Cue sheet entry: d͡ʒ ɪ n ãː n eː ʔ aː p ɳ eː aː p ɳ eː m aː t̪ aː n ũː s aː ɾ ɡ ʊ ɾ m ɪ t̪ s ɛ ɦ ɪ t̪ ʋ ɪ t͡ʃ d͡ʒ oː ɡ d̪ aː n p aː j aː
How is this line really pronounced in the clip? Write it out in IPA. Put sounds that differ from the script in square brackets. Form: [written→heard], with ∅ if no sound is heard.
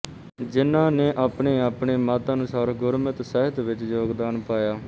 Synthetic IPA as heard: d͡ʒ ɪ n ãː n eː ʔ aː p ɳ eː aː p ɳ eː m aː t̪ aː n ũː s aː ɾ ɡ ʊ ɾ m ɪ t̪ s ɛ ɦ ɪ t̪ ʋ ɪ t͡ʃ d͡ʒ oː ɡ d̪ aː n p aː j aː